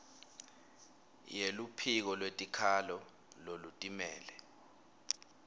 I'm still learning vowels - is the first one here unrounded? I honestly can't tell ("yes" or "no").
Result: yes